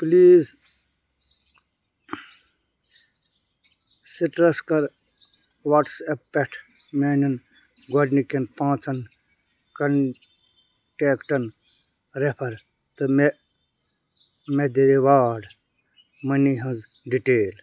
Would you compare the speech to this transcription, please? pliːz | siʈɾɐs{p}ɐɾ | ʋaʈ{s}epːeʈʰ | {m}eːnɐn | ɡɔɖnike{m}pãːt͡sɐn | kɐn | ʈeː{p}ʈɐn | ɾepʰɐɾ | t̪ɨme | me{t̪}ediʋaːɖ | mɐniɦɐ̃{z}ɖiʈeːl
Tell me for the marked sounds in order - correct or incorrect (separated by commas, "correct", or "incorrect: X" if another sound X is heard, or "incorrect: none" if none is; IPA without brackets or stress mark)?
incorrect: k, correct, correct, incorrect: n, incorrect: k, incorrect: d̪, correct